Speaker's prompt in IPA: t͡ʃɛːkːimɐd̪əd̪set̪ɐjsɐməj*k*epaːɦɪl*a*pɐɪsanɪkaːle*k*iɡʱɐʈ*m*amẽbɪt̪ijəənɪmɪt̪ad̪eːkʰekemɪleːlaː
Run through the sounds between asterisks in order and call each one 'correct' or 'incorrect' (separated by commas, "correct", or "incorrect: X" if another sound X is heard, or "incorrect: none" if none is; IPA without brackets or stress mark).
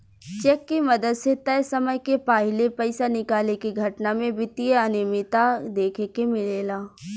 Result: correct, incorrect: e, correct, incorrect: n